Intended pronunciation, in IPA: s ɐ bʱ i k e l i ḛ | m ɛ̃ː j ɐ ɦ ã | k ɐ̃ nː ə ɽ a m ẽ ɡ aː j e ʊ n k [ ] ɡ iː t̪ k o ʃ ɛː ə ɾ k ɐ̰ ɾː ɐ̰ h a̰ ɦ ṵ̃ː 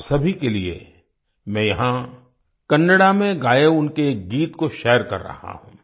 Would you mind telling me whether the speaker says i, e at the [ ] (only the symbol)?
e